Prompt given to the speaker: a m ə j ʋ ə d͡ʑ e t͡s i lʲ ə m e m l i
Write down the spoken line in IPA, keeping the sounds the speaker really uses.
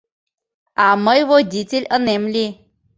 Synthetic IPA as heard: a m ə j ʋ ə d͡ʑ i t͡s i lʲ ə n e m l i